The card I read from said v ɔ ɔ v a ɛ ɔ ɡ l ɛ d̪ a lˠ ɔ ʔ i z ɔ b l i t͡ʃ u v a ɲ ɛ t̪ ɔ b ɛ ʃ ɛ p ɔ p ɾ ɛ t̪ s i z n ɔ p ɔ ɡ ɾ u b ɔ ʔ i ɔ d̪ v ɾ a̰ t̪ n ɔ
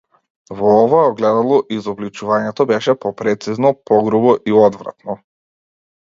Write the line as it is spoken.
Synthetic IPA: v ɔ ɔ v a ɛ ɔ ɡ l ɛ d̪ a lˠ ɔ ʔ i z ɔ b l i t͡ʃ u v a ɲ ɛ t̪ ɔ b ɛ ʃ ɛ p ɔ p ɾ ɛ t̪ s i z n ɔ p ɔ ɡ ɾ u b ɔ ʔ i ɔ d̪ v ɾ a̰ t̪ n ɔ